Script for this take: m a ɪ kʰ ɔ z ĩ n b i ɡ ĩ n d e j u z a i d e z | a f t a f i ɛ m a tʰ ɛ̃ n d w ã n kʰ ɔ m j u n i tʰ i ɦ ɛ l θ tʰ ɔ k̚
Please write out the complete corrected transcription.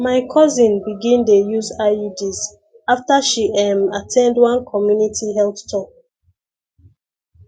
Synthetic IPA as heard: m a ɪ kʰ ɔ z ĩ n b i ɡ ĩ n d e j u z a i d i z | a f t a ʃ i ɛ m a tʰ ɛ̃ n d w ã n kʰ ɔ m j u n i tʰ i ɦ ɛ l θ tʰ ɔ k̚